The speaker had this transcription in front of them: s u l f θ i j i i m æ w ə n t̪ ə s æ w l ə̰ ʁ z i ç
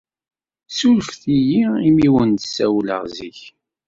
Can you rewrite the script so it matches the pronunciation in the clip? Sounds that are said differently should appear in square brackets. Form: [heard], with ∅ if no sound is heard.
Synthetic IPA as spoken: s u l f θ i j i i m [i] w ə n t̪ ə s æ w l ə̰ ʁ z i ç